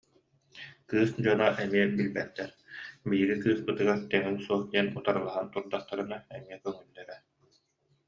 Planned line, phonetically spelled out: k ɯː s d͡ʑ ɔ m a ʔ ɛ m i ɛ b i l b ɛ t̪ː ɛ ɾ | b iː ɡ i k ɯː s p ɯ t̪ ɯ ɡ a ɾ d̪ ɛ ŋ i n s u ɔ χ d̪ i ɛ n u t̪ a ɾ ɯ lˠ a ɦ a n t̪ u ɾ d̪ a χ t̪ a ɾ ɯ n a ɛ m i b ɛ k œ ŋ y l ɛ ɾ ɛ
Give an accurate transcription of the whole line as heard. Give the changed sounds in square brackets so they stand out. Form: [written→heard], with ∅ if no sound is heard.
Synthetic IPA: k ɯː s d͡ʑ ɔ [m→n] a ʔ ɛ m i ɛ b i l b ɛ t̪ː ɛ ɾ | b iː ɡ i k ɯː s p ɯ t̪ ɯ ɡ a ɾ [d̪→t̪] ɛ ŋ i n s u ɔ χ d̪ i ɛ n u t̪ a ɾ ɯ lˠ a ɦ a n t̪ u ɾ d̪ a χ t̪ a ɾ ɯ n a ɛ m i [b→∅] ɛ k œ ŋ y [l→lː] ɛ ɾ ɛ